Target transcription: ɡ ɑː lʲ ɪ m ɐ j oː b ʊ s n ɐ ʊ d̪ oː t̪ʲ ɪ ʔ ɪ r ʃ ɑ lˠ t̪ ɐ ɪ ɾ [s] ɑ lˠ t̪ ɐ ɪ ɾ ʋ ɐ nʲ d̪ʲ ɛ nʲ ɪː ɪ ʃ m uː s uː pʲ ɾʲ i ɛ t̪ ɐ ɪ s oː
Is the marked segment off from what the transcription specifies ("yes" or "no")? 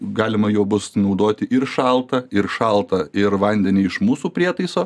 yes